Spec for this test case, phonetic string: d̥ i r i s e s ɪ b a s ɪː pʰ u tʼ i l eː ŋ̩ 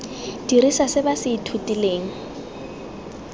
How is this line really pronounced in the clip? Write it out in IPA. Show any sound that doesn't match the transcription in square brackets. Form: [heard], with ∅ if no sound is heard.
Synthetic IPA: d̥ i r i s [a] s ɪ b a s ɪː [tʰ] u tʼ i l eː ŋ̩

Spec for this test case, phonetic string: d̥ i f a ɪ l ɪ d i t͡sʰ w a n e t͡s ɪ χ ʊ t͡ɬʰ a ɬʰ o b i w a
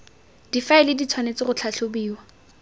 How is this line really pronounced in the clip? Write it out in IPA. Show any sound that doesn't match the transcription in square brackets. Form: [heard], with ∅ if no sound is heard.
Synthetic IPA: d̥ i f a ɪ l ɪ d i t͡sʰ w a n e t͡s ɪ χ ʊ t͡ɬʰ a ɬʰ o b [iː] w a

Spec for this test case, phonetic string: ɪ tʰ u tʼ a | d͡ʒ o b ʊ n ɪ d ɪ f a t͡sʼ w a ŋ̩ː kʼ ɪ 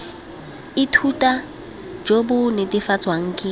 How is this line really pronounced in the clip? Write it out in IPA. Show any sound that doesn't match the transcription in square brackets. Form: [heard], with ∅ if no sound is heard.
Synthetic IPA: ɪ tʰ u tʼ a | d͡ʒ o b ʊ n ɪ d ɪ f a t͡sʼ w a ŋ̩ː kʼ ɪ

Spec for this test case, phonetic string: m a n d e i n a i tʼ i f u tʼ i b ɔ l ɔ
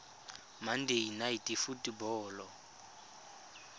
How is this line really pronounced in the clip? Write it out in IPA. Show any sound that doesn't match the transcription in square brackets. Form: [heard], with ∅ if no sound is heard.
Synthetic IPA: m a n d e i n a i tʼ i f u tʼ i b [ɔː] l ɔ

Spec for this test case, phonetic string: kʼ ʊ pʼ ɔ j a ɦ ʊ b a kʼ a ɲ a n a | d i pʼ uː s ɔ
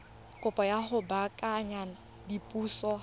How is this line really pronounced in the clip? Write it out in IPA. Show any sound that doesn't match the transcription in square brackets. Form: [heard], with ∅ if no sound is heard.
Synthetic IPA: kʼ ʊ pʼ ɔ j a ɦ ʊ b a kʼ a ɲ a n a | d i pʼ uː s ɔ

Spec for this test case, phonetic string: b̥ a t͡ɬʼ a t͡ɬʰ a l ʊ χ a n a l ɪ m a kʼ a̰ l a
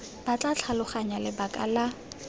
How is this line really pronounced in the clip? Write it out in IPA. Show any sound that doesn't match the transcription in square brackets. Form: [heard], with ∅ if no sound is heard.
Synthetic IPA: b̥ a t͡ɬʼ a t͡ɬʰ a l ʊ χ a [ɲ] a l ɪ [b] a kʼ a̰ l a

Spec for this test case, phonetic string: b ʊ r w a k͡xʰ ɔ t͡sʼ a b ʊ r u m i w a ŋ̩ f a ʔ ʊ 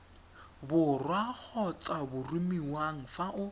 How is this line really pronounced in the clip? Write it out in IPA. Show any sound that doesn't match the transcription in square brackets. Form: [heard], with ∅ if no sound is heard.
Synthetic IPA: b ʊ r w a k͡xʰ ɔ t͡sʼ a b ʊ r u m i w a ŋ̩ f a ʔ ʊ

